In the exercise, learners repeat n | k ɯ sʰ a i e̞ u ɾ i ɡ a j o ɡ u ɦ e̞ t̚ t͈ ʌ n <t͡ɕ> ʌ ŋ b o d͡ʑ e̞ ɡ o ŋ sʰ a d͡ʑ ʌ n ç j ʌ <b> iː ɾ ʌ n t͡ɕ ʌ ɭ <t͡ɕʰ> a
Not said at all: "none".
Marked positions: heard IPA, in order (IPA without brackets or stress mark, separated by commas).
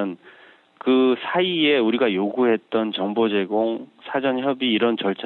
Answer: t͡ɕ, b, t͡ɕʰ